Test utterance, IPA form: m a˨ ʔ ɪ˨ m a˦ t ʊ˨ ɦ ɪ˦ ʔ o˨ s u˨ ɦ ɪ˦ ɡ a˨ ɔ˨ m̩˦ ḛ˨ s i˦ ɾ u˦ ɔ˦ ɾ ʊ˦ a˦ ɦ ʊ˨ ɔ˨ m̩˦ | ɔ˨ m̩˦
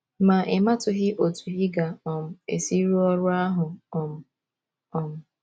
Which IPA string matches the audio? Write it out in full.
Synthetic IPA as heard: m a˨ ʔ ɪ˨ m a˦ t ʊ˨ ɦ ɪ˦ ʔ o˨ t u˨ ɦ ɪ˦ ɡ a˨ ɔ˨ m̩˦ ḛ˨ s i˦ ɾ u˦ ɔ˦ ɾ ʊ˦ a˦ ɦ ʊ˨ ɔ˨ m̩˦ | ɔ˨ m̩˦

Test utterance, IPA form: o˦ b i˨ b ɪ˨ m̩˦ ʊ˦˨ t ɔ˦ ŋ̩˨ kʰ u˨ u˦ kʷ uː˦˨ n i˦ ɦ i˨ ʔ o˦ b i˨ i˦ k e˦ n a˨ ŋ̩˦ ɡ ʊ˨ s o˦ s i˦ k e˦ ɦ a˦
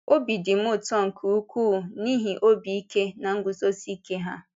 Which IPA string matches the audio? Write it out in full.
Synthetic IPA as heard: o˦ b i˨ d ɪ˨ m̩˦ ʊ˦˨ t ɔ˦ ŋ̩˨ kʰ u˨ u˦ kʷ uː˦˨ n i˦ ɦ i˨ ʔ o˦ b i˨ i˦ k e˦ n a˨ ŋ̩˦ ɡ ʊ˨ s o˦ s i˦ k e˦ ɦ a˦

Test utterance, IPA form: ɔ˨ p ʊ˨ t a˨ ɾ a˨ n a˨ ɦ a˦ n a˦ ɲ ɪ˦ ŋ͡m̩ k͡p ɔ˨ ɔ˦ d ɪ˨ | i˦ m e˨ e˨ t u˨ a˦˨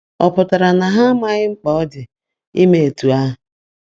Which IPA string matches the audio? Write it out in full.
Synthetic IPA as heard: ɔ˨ p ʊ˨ t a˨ ɾ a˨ n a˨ ɦ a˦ m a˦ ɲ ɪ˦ ŋ͡m̩ k͡p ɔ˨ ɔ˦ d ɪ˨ | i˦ m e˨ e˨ t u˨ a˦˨

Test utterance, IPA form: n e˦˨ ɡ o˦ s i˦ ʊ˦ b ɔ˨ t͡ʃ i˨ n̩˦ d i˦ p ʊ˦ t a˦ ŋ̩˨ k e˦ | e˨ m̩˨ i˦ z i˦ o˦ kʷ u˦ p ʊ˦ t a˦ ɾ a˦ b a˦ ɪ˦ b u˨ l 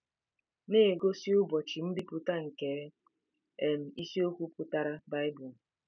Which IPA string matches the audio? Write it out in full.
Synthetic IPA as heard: n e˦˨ ɡ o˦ s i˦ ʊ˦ b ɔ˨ t͡ʃ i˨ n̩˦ d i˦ p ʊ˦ t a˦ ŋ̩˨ k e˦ | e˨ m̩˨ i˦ s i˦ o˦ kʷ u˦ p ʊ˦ t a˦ ɾ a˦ b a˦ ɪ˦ b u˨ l

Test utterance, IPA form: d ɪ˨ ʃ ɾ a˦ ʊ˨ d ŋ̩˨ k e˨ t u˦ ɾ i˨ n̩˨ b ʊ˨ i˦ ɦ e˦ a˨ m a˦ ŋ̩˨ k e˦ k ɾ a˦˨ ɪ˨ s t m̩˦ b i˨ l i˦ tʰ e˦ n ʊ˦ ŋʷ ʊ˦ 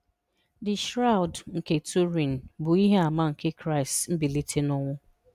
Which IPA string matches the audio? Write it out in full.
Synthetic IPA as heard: d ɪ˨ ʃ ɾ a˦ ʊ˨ d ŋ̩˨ k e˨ t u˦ ɾ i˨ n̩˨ b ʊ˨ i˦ ɦ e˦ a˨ m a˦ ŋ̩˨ k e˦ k ɾ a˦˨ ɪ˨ s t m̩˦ b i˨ l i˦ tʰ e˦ n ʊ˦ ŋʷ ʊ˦

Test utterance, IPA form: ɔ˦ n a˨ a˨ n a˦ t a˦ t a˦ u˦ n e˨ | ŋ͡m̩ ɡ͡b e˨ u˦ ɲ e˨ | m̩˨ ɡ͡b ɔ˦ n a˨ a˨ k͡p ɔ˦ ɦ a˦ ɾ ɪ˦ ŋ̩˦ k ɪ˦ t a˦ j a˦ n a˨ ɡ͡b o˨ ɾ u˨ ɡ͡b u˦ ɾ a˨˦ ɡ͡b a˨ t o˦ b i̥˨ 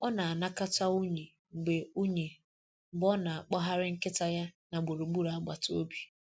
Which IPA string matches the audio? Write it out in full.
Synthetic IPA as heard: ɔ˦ n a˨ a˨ n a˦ k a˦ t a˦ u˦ ɲ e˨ | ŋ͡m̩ ɡ͡b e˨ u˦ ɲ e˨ | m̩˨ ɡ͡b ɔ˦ n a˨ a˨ k͡p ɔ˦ ɦ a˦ ɾ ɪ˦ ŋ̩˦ k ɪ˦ t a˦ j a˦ n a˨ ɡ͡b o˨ ɾ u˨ ɡ͡b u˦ ɾ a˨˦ ɡ͡b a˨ t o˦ b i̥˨

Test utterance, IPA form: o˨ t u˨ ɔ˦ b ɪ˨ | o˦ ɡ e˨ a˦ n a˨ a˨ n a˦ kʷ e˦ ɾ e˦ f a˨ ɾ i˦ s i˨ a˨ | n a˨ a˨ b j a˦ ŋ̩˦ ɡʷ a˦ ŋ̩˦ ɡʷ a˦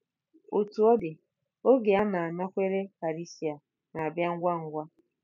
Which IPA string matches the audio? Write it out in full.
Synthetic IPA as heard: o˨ t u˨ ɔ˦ d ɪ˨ | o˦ ɡ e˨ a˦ n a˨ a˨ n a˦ kʷ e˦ ɾ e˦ f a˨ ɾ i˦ s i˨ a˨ | n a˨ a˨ b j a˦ ŋ̩˦ ɡʷ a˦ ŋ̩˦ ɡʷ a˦

